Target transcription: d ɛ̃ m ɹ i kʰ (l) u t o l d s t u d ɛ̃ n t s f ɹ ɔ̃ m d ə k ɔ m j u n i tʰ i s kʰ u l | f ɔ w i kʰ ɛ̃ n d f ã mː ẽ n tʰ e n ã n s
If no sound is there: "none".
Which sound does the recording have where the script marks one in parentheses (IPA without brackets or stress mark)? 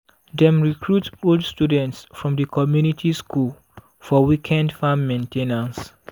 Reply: ɹ